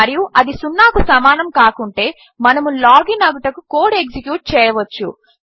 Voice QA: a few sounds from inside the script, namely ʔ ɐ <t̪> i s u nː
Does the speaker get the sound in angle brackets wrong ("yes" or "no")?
yes